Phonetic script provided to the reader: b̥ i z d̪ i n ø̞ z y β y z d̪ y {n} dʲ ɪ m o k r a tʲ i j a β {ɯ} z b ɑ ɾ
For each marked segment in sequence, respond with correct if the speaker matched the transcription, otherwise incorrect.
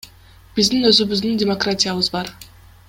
correct, correct

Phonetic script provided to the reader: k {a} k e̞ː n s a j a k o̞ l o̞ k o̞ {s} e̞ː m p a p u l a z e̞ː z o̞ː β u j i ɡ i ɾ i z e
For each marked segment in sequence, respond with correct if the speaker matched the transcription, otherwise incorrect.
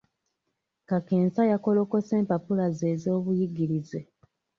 correct, correct

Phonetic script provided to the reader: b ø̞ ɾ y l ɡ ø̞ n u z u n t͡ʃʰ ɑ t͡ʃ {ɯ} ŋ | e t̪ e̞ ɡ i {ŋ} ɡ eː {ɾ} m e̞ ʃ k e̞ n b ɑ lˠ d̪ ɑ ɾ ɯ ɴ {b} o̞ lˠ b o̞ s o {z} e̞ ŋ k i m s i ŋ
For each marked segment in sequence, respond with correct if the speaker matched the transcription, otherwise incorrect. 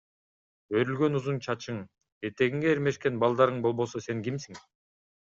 correct, correct, correct, correct, incorrect

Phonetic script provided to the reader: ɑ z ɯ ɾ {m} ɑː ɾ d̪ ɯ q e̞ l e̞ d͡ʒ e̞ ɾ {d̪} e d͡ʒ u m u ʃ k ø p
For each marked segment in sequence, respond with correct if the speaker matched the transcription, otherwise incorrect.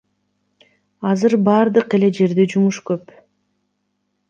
incorrect, correct

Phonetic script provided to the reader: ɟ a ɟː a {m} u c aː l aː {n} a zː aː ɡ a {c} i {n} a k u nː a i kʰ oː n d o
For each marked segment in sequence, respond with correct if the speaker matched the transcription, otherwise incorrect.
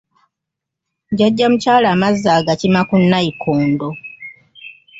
correct, incorrect, correct, incorrect

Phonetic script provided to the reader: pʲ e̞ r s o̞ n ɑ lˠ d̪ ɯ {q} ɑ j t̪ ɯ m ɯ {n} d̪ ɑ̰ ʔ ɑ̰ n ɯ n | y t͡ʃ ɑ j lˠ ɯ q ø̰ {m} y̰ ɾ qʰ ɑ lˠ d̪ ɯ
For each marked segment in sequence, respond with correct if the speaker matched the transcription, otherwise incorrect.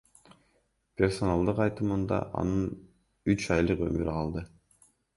correct, correct, correct

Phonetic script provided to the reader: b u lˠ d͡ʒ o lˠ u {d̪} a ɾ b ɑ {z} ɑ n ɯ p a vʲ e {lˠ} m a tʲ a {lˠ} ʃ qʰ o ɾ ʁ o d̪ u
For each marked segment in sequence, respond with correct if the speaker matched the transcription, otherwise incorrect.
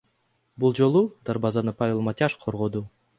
correct, correct, correct, incorrect

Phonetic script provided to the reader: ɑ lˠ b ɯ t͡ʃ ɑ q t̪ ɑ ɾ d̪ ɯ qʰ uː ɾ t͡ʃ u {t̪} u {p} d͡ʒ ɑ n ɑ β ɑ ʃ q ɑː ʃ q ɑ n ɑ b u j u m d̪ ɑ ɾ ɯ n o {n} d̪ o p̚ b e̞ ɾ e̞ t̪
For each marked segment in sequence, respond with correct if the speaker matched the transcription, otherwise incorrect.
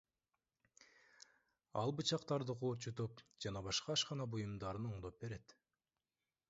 correct, correct, incorrect

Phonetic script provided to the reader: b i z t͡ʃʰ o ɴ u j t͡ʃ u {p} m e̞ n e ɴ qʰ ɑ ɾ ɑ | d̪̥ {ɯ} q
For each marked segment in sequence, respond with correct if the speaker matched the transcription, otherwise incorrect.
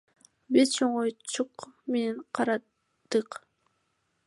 incorrect, correct

